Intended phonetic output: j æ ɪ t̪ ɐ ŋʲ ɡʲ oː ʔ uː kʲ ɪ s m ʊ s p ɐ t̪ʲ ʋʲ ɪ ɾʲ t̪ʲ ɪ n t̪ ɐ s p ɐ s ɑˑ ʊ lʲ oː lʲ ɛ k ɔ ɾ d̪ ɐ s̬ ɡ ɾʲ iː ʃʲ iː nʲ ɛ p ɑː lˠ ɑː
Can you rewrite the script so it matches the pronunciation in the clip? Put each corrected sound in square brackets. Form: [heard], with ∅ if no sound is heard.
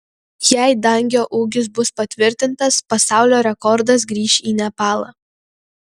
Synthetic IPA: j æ ɪ [d̪] ɐ ŋʲ ɡʲ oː ʔ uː [ɡʲ] ɪ s [b] ʊ s p ɐ t̪ʲ ʋʲ ɪ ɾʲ t̪ʲ ɪ n t̪ ɐ s p ɐ s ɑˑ ʊ lʲ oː [ɾʲ] ɛ k ɔ ɾ d̪ ɐ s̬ ɡ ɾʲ iː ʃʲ iː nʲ ɛ p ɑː lˠ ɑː